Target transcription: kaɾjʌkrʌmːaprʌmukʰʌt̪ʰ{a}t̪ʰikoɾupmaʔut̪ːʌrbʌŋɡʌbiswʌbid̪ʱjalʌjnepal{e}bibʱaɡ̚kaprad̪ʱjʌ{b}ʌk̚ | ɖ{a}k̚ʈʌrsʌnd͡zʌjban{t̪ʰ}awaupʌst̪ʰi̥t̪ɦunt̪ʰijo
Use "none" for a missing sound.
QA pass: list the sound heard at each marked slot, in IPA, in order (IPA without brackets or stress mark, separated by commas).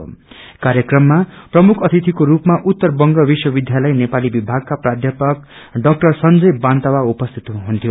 i, i, p, ʌ, t̪